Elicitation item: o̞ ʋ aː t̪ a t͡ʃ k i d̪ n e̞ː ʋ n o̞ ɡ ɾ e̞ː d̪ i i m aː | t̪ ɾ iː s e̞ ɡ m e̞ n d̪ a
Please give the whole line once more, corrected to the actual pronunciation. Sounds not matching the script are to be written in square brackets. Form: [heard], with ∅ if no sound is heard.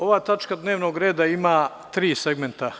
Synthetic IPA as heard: o̞ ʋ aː t̪ a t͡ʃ k [a] d̪ n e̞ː ʋ n o̞ ɡ ɾ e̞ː d̪ [a] i m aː | t̪ ɾ iː s e̞ ɡ m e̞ n [t̪] a